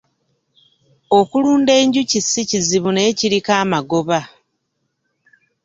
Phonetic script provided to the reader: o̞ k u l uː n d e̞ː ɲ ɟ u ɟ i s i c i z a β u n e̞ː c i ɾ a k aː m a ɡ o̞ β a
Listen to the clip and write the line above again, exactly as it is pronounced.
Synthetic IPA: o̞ k u l uː n d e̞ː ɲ ɟ u c i s i c i z i β u n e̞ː c i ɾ i k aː m a ɡ o̞ β a